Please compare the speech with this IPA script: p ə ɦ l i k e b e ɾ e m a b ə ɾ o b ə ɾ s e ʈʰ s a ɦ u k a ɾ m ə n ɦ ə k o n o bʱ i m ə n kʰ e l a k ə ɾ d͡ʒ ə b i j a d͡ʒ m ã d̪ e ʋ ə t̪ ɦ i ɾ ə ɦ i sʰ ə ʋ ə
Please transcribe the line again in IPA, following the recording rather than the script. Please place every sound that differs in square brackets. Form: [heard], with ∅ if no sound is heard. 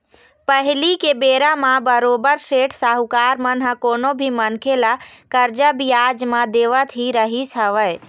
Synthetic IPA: p ə ɦ l i k e b e ɾ [a] m a b ə ɾ o b ə ɾ s e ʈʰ s a ɦ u k a ɾ m ə n ɦ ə k o n o bʱ i m ə n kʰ e l a k ə ɾ d͡ʒ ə b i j a d͡ʒ m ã d̪ e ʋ ə t̪ ɦ i ɾ ə ɦ i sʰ ə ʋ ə